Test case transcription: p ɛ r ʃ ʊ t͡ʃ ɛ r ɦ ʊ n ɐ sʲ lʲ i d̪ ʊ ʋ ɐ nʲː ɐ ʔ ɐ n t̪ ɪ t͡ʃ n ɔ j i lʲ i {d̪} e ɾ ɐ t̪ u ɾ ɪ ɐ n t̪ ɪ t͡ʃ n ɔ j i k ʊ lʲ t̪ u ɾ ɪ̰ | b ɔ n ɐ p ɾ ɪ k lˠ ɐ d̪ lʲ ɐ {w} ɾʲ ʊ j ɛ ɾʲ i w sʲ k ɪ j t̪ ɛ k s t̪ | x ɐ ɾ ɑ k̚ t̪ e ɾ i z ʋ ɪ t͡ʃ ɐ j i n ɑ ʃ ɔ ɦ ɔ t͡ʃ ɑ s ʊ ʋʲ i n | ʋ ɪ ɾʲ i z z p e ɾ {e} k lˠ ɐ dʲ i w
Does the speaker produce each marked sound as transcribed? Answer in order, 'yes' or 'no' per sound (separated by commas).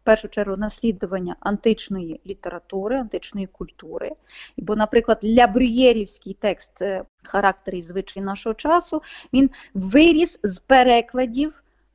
no, no, no